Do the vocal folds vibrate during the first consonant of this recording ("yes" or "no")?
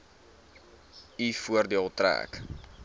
no